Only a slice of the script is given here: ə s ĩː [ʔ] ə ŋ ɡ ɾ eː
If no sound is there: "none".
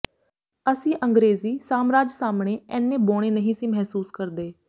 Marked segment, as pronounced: ʔ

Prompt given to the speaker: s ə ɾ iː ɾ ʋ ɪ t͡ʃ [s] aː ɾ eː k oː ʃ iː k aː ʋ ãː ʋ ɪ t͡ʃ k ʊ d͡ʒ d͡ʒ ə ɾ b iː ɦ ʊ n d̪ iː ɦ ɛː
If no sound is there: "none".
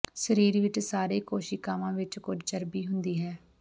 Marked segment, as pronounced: s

